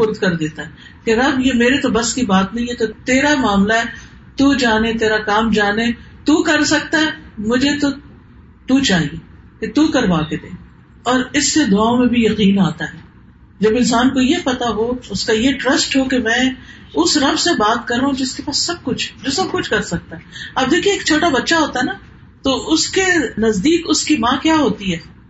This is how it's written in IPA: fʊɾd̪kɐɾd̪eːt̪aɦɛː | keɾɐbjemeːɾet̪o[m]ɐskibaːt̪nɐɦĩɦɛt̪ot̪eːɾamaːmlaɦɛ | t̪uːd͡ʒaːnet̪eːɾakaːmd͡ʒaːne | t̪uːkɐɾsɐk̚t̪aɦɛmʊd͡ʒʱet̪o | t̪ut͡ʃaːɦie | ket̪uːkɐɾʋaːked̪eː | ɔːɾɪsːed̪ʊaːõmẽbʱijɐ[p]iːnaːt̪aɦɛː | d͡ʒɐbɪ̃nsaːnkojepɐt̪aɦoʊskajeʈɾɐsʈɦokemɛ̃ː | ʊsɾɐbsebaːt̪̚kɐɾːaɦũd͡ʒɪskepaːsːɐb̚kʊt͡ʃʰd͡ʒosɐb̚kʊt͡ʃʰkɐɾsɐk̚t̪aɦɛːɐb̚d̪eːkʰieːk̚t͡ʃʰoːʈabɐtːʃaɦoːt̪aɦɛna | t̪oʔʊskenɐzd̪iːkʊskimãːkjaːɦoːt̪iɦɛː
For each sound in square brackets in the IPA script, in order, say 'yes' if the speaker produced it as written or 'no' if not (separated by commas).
no, no